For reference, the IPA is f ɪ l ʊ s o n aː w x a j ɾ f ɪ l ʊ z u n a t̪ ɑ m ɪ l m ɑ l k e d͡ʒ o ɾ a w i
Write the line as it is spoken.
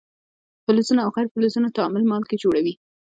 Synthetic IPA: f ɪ l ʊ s u n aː w x a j ɾ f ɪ l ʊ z u n a t̪ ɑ m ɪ l m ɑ l k e d͡ʒ o ɽ a w i